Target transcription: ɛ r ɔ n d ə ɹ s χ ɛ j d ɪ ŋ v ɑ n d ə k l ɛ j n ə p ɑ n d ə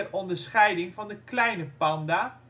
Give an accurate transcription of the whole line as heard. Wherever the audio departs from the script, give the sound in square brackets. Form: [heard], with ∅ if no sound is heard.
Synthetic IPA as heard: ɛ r ɔ n d ə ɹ s χ ɛ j d ɪ ŋ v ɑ n d ə k l ɛ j n ə p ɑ n d [a]